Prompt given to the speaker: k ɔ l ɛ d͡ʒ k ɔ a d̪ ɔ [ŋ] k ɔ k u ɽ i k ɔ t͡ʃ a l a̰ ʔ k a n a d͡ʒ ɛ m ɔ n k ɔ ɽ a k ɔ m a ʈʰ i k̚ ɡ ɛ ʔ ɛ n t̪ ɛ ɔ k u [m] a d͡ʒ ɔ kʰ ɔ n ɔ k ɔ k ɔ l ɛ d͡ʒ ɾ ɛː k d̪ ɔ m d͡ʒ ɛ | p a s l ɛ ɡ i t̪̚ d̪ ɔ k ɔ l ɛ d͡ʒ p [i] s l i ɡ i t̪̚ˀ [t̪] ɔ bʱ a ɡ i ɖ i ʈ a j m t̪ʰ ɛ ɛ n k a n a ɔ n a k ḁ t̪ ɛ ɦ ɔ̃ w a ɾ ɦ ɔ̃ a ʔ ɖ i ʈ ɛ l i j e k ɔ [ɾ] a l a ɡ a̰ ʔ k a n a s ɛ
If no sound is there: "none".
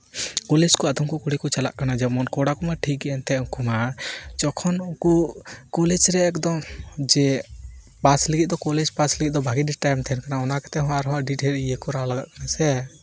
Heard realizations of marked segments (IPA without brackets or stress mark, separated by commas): m, m, a, d̪, ɾ